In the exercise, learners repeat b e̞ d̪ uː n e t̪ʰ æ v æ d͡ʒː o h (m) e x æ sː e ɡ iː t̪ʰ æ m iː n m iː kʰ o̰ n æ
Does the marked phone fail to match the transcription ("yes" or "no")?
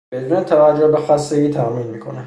yes